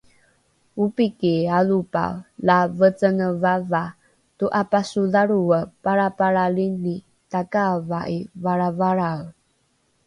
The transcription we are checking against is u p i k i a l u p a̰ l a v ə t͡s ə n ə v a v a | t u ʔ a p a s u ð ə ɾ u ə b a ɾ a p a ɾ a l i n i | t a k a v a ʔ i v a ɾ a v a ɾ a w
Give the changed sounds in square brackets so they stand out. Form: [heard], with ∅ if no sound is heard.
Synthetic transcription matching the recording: u p i k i a l u p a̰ l a v ə t͡s ə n ə v a v a | t u ʔ a p a s u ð [a] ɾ u ə [p] a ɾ a p a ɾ a l i n i | t a k a v a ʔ i v a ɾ a v a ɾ a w